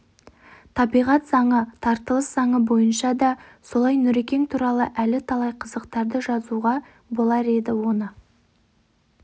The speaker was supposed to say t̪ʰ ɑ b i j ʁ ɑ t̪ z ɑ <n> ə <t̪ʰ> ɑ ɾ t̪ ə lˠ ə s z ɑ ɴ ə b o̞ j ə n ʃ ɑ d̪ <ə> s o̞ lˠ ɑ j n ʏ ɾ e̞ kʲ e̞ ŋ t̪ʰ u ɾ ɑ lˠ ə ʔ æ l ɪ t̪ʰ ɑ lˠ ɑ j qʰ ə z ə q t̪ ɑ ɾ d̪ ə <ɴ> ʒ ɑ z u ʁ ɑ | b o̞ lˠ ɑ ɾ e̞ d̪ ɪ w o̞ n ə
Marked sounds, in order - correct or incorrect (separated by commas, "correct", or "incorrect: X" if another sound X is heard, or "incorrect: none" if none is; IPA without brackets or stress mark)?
incorrect: ɴ, correct, incorrect: ɑ, incorrect: none